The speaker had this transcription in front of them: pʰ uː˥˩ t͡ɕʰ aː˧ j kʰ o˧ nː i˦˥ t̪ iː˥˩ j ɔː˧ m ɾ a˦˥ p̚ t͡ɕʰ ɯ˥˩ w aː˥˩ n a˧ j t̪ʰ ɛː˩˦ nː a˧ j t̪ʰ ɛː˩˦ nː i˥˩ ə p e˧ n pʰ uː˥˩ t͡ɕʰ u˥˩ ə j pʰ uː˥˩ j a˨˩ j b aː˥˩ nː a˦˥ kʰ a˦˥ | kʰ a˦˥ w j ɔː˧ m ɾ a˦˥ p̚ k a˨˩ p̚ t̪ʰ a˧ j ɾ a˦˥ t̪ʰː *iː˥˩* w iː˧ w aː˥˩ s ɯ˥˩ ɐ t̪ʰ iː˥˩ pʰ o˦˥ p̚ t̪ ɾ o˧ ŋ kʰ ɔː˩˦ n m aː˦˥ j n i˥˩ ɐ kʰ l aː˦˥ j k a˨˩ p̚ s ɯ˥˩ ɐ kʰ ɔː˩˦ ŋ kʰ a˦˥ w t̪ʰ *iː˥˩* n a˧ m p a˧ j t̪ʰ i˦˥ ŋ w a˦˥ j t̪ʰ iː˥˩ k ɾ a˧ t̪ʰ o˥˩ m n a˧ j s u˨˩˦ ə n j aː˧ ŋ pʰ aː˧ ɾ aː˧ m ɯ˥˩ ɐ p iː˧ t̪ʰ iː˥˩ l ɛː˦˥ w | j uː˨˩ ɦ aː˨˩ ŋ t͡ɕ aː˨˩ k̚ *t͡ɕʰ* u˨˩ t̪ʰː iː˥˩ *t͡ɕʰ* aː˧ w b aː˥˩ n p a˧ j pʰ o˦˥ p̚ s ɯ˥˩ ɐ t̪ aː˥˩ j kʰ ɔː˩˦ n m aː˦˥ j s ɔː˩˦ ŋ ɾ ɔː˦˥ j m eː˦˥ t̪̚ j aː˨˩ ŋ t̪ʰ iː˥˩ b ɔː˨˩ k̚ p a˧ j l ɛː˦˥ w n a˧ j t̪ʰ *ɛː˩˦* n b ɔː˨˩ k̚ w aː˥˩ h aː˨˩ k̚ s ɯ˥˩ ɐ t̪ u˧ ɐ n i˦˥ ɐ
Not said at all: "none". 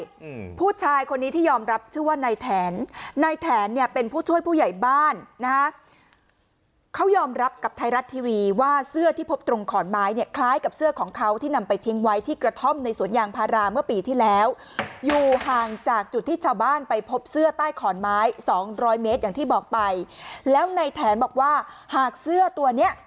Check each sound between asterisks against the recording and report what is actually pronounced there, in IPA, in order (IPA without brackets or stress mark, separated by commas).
iː˧, iː˥˩, t͡ɕ, t͡ɕʰ, ɛː˩˦